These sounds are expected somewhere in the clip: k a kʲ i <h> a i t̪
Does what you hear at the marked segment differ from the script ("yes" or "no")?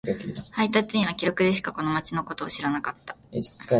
no